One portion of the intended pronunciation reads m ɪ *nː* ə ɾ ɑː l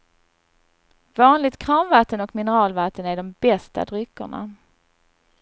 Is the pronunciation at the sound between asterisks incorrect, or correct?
incorrect